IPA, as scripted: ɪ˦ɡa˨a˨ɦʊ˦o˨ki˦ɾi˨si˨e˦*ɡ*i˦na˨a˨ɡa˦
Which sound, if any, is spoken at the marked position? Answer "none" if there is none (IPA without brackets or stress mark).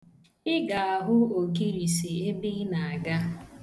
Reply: b